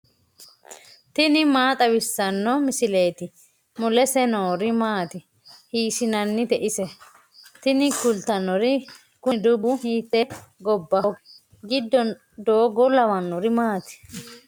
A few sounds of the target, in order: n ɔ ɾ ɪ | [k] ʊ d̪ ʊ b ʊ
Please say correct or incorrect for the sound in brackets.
correct